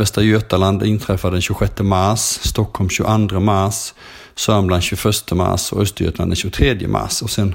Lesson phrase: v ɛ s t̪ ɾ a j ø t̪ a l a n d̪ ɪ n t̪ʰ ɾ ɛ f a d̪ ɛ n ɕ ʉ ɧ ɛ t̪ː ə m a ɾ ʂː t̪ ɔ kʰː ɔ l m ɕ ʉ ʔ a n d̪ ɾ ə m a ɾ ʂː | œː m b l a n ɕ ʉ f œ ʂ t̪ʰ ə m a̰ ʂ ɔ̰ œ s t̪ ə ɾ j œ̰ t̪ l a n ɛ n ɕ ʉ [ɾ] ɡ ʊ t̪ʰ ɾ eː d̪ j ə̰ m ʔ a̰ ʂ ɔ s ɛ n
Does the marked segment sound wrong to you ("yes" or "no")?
yes